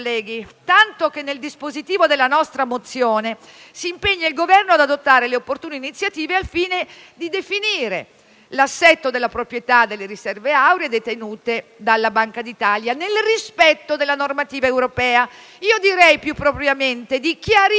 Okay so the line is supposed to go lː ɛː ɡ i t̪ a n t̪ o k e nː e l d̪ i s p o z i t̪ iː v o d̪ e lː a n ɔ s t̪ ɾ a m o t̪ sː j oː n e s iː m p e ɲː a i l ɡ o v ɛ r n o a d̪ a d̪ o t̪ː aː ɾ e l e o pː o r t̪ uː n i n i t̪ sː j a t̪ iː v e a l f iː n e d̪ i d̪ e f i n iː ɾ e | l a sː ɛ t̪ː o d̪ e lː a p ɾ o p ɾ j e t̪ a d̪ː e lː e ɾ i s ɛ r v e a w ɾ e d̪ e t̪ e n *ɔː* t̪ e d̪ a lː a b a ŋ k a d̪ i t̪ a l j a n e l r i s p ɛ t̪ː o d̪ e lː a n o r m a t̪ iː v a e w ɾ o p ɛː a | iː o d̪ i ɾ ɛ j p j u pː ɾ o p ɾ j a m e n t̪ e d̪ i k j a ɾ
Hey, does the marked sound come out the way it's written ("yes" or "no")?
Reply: no